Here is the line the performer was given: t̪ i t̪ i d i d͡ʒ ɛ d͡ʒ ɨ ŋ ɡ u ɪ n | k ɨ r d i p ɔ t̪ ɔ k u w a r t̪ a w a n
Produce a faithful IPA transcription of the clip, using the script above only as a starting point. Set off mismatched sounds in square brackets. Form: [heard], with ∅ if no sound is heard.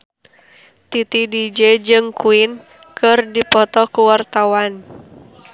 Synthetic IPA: t̪ i t̪ i d i d͡ʒ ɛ d͡ʒ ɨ ŋ [k] u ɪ n | k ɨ r d i p ɔ t̪ ɔ k u w a r t̪ a w a n